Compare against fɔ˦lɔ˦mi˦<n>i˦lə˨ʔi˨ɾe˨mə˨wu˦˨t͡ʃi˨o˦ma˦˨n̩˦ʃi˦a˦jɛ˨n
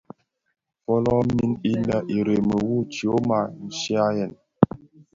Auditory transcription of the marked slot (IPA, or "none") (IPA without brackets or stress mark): n